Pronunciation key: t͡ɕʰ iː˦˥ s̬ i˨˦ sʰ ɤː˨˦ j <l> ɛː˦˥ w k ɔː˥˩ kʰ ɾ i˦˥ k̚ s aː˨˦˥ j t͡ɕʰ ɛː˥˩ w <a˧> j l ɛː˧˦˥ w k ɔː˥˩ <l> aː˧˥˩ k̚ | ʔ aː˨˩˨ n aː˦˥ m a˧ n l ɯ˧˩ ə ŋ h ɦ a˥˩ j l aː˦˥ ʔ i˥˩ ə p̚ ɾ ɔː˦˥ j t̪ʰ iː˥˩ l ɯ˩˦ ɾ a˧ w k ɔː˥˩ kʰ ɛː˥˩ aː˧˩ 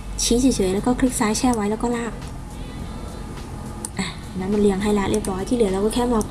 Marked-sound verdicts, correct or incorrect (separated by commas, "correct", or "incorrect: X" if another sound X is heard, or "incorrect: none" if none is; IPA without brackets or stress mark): correct, incorrect: a˦˥, correct